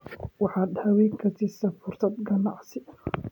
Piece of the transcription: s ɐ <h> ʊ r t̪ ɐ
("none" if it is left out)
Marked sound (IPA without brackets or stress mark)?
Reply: f